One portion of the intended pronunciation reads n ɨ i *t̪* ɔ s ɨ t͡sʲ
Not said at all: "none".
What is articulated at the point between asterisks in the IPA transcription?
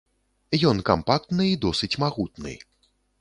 d̪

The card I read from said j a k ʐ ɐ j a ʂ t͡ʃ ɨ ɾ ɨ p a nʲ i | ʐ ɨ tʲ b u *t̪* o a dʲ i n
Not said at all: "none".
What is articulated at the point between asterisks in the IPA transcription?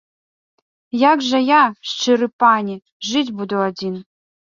d̪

